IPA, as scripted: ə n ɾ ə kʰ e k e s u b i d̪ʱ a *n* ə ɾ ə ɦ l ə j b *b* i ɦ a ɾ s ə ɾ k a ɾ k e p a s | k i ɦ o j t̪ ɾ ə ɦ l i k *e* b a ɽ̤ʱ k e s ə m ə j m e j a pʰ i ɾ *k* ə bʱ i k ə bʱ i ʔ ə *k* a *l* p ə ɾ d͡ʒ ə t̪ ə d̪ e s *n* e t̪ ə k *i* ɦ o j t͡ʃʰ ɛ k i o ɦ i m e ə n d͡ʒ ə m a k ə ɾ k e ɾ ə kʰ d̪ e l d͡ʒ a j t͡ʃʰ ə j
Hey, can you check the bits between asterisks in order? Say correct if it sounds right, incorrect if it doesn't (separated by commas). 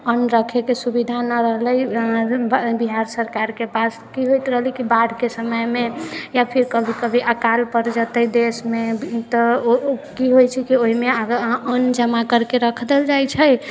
correct, correct, incorrect, correct, correct, correct, incorrect, correct